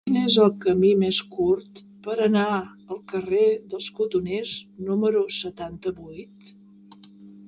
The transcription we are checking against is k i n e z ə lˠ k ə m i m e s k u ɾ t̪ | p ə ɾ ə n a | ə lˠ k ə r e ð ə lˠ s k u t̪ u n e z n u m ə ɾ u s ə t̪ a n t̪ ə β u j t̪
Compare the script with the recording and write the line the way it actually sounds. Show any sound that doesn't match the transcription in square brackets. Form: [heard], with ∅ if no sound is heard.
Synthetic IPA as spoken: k i n e z ə lˠ k ə m i m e s k u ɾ t̪ | p ə ɾ ə n a | ə lˠ k ə r e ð ə lˠ s k u t̪ u n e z n u m ə ɾ u s ə t̪ a n t̪ ə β u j t̪